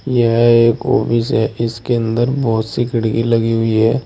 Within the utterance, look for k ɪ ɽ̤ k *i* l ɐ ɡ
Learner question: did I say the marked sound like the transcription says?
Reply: yes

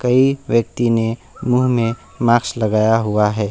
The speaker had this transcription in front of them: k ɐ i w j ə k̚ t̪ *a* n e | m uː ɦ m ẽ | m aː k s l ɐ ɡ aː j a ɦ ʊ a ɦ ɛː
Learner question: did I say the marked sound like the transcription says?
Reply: no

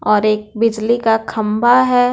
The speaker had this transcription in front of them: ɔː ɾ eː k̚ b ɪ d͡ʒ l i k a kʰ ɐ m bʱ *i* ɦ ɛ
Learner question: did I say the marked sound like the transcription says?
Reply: no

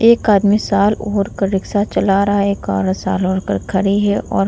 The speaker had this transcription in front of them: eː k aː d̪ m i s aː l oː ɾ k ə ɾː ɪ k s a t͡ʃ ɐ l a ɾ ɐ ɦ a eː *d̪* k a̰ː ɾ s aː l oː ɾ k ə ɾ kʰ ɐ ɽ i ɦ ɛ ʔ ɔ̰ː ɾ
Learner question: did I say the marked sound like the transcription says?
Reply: no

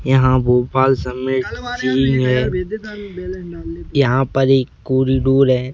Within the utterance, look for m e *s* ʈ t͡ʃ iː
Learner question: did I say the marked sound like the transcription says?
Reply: no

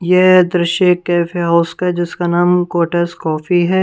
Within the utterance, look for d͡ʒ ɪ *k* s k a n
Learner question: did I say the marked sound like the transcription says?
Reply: no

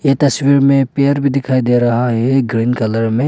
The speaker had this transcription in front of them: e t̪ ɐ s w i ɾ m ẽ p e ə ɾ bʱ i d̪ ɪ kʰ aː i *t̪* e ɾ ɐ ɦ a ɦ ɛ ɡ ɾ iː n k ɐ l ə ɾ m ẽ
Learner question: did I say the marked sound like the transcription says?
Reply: no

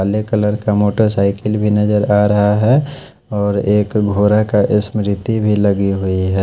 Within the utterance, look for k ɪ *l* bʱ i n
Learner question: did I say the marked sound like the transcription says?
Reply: yes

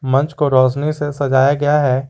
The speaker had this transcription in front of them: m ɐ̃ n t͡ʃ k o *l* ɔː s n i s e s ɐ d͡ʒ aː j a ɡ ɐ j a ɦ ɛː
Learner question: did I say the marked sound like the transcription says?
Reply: no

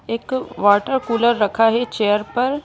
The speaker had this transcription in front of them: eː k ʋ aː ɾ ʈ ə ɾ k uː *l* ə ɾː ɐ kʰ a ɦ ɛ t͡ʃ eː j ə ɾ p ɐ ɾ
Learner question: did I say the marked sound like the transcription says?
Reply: yes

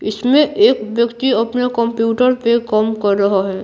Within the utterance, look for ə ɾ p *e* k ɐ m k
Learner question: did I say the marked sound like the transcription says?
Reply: yes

